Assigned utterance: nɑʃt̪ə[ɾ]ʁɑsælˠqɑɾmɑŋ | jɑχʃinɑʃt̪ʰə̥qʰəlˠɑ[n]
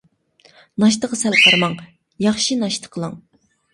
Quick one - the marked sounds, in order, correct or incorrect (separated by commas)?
incorrect, incorrect